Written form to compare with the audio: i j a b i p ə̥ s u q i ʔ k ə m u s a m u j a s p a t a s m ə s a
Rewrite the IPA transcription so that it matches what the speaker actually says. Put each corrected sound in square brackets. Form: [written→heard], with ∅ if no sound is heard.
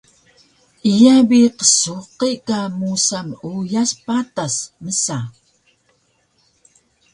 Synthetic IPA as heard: i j a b i [p→q] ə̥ s u q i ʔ k [ə→a] m u s a m u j a s p a t a s m ə s a